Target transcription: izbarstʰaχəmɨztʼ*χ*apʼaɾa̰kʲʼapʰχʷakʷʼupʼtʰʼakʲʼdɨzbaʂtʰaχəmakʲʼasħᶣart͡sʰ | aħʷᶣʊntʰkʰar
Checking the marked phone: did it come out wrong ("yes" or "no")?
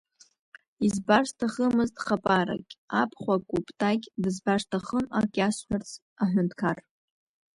no